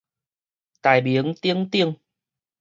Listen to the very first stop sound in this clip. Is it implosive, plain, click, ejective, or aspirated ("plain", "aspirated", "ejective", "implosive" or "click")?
plain